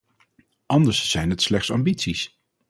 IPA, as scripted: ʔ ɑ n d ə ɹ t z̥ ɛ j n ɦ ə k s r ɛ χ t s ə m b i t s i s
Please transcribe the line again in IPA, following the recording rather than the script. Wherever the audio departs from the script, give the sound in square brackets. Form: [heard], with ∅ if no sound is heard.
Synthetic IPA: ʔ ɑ n d ə ɹ [s] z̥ ɛ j n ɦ ə [t] s [l] ɛ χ t s [ɑ] m b i t s i s